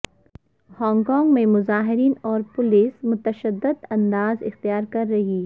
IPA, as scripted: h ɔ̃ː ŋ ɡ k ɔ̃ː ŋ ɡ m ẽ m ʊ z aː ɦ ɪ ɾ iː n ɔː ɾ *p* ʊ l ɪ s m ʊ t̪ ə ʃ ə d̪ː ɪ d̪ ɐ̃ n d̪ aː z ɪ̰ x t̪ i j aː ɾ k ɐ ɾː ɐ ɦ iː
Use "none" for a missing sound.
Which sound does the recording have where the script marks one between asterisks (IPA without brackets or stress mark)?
p